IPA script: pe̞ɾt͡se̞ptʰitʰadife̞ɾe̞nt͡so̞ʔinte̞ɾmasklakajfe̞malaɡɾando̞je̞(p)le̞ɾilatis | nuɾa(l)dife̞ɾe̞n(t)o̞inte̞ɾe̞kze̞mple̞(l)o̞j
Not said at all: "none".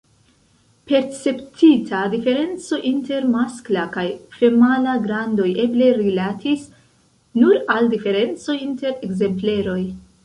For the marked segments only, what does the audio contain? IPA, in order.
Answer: b, l, t͡s, ɾ

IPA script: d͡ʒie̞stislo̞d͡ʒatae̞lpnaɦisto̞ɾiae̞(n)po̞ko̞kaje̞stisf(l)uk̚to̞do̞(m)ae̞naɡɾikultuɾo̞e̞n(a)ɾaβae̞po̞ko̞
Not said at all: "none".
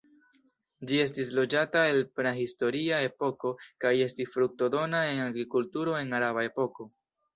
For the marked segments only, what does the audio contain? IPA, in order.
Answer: none, ɾ, n, a

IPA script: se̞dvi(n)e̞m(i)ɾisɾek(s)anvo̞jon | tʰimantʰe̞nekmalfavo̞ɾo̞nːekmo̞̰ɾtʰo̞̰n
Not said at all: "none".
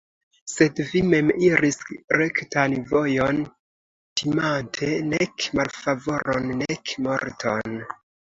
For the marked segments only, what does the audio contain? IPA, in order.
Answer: m, i, t

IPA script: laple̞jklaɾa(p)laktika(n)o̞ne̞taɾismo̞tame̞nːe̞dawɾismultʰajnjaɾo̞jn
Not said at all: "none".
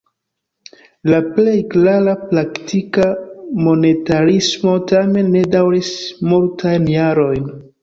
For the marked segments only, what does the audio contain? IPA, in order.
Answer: p, m

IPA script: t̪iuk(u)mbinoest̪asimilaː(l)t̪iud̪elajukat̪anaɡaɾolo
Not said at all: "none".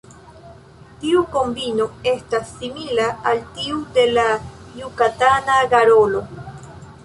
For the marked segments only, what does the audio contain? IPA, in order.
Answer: o, l

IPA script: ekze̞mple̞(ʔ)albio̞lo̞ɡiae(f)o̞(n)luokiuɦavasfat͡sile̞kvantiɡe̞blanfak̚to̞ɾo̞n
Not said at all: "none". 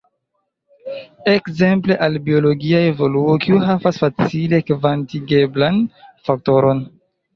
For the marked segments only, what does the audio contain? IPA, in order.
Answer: ʔ, v, none

